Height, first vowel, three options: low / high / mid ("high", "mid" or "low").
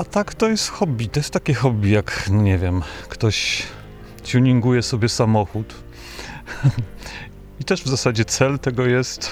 low